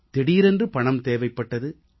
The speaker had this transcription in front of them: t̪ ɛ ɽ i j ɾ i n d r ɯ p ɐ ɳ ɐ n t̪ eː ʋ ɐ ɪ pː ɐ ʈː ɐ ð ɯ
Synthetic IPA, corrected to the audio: t̪ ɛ ɽ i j ɾ ɛ n d r ɯ p ɐ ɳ ɐ m t̪ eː ʋ ɐ ɪ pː ɐ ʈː ɐ ð ɯ